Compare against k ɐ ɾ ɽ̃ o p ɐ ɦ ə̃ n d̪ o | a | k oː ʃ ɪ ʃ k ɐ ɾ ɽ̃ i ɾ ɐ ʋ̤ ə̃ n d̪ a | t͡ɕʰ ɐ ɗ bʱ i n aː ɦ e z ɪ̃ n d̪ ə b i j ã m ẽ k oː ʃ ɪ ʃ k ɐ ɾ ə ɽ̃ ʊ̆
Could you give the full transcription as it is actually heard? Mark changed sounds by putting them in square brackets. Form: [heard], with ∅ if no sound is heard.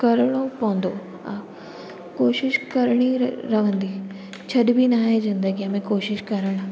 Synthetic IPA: k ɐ ɾ ɽ̃ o p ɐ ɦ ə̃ n d̪ o | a | k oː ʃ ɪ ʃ k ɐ ɾ ɽ̃ i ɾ ɐ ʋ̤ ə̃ n d̪ [i] | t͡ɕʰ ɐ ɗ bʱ i n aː ɦ e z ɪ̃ n d̪ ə [ɡ] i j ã m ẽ k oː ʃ ɪ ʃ k ɐ ɾ ə ɽ̃ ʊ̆

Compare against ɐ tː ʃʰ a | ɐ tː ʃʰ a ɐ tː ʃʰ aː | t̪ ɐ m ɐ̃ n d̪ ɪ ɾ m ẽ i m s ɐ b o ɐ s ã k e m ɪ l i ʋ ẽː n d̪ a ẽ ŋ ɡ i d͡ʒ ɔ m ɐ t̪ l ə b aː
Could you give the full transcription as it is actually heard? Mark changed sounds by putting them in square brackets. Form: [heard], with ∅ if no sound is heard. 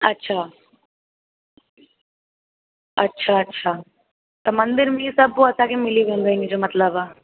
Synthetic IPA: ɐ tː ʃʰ a | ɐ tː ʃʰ a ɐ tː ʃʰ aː | t̪ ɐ m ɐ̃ n d̪ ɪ ɾ m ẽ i [∅] s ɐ b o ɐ s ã k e m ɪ l i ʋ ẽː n d̪ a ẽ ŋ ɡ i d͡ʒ [o] m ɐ t̪ l ə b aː

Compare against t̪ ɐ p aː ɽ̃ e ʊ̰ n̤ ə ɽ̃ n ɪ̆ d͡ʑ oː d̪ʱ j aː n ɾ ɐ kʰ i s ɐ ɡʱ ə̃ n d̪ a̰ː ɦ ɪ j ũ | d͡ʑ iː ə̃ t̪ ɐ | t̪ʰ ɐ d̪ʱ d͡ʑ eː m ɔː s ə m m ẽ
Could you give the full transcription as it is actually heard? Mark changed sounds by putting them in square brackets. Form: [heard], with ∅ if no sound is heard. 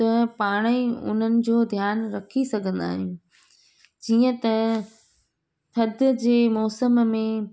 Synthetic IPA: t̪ ɐ p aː ɽ̃ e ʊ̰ n̤ ə [∅] n ɪ̆ d͡ʑ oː d̪ʱ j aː n ɾ ɐ kʰ i s ɐ ɡʱ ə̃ n d̪ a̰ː ɦ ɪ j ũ | d͡ʑ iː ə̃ t̪ ɐ | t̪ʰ ɐ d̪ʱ d͡ʑ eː m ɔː s ə m m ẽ

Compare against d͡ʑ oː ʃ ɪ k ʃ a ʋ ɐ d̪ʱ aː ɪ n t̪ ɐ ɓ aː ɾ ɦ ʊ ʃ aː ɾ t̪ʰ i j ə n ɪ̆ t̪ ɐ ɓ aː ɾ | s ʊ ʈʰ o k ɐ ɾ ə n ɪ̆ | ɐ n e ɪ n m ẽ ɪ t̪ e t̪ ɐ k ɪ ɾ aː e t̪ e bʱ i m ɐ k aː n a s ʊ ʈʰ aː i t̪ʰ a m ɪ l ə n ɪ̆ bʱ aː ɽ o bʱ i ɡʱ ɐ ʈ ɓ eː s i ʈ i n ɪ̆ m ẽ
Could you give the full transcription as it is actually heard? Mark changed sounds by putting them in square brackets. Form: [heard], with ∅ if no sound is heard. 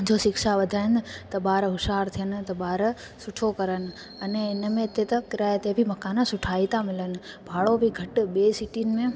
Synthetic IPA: d͡ʑ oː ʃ ɪ k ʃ a ʋ ɐ d̪ʱ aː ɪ n t̪ ɐ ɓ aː ɾ ɦ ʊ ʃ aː ɾ t̪ʰ i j ə n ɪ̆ t̪ ɐ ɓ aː ɾ | s ʊ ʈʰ o k ɐ ɾ ə n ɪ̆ | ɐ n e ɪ n m ẽ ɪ t̪ e t̪ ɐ k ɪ ɾ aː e t̪ e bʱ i m ɐ k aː n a s ʊ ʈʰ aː i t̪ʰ a m ɪ l ə n ɪ̆ bʱ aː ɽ o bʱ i ɡʱ ɐ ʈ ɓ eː s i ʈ i n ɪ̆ m ẽ

